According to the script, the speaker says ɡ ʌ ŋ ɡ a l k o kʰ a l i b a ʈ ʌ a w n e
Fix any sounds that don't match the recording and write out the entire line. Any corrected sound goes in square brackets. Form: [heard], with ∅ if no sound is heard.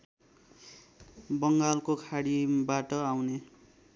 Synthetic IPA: [b] ʌ ŋ ɡ a l k o kʰ a [ɽ] i b a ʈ ʌ a w n e